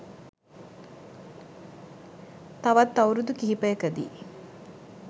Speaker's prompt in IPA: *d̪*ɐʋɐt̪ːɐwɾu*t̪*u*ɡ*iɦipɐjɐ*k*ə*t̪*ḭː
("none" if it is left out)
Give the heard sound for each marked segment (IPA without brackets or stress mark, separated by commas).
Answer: t̪, d̪, k, k, d̪